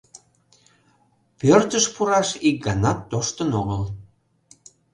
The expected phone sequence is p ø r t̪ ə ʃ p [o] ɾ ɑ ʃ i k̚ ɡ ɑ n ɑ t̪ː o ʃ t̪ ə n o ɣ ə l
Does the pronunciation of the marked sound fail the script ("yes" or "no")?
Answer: yes